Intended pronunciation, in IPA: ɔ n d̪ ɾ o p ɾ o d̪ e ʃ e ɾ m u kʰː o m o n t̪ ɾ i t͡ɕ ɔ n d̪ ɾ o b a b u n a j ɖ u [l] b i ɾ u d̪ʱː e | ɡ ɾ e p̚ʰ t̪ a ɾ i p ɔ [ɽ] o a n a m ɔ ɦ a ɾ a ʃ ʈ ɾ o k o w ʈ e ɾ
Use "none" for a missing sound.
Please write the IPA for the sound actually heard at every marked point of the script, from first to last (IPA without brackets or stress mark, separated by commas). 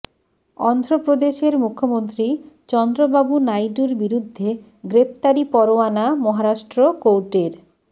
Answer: ɾ, ɾ